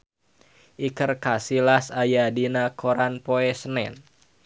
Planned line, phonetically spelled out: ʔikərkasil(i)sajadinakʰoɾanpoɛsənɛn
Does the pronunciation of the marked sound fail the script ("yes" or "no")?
yes